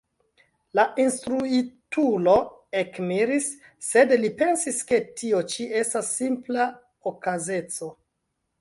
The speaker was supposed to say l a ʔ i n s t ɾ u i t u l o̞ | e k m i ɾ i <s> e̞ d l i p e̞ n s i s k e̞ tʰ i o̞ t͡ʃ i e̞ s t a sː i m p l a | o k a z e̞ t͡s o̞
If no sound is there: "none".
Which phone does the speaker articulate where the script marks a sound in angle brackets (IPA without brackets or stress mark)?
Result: sː